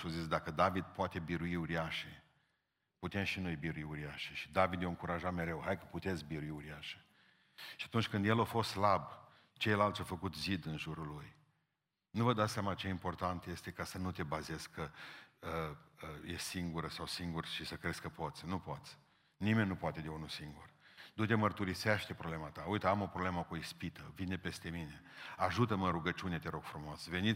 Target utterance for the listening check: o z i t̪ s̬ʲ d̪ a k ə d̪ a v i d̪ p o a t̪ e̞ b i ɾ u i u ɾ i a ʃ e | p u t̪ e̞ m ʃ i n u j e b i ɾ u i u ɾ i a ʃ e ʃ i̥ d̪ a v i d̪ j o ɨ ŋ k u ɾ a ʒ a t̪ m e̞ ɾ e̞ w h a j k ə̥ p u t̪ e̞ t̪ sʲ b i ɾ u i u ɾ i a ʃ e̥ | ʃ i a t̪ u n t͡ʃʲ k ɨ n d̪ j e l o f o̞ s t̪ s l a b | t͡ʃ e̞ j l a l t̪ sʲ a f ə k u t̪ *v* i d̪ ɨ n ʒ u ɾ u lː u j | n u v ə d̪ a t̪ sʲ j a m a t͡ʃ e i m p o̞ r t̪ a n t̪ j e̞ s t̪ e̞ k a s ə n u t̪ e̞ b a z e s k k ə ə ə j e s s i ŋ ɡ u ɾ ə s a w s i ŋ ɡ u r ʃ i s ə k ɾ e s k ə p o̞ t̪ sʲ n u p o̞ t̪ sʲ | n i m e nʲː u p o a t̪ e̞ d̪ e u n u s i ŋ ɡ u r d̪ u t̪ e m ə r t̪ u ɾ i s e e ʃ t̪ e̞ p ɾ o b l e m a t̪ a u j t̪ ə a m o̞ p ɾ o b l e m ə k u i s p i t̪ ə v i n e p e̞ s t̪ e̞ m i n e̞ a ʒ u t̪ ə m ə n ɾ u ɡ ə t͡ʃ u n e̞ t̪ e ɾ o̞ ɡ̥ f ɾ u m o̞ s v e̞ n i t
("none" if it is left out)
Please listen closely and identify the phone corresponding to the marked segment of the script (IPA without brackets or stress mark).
z